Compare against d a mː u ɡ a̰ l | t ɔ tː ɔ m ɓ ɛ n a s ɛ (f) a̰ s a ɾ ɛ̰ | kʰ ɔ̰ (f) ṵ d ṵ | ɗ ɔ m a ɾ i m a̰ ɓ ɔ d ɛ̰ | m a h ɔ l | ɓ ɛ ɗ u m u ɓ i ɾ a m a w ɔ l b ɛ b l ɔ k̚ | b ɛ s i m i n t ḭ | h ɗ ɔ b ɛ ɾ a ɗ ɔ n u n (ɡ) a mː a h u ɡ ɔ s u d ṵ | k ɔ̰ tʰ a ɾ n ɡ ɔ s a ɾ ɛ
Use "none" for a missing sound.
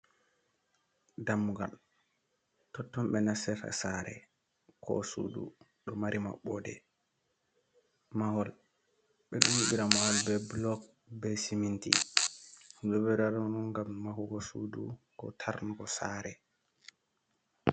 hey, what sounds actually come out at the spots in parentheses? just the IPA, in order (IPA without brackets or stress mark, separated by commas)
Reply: f, s, ɡ